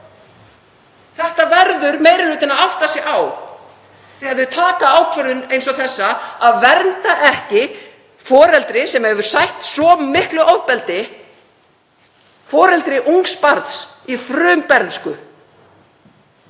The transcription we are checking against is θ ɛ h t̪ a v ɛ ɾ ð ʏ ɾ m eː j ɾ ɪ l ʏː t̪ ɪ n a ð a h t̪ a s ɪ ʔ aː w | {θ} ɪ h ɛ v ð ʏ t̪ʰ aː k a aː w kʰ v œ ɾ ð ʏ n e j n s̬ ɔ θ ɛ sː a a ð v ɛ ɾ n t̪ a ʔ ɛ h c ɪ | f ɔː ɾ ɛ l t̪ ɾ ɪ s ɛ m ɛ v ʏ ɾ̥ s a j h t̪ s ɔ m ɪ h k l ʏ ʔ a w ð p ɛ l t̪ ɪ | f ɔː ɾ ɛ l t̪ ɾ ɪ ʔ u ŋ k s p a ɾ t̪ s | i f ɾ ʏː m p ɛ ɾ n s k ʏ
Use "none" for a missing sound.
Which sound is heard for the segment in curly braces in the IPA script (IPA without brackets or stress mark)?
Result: θ